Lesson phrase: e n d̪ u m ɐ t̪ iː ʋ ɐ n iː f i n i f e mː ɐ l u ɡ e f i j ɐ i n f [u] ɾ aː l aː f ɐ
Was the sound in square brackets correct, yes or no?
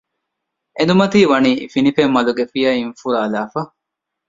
yes